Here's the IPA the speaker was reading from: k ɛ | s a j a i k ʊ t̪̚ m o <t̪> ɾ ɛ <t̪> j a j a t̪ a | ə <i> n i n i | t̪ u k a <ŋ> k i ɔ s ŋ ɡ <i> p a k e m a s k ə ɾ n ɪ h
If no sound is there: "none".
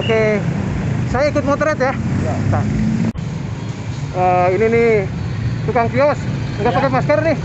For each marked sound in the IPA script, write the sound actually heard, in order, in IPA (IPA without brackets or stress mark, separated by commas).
t̪, t̪, i, ŋ, a